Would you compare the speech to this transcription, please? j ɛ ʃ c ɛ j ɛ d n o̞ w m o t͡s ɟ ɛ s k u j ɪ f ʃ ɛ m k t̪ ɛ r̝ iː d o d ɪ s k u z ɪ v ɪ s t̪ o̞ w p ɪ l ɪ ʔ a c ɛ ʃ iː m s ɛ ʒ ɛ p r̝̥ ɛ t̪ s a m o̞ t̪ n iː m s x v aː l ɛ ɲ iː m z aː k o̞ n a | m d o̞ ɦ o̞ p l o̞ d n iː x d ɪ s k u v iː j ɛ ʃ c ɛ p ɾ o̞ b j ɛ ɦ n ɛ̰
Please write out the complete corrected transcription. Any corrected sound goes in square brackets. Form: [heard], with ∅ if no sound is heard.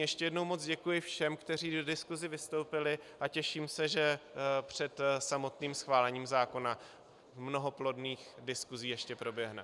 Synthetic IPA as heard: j ɛ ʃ c ɛ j ɛ d n o̞ w m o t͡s ɟ ɛ [∅] k u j ɪ f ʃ ɛ m k t̪ ɛ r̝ iː d o d ɪ s k u z ɪ v ɪ s t̪ o̞ w p ɪ l ɪ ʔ a c ɛ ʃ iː m s ɛ ʒ ɛ p r̝̥ ɛ t̪ s a m o̞ t̪ n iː m s x v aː l ɛ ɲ iː m z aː k o̞ n a | m [n] o̞ ɦ o̞ p l o̞ d n iː x d ɪ s k u [z] iː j ɛ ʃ c ɛ p ɾ o̞ b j ɛ ɦ n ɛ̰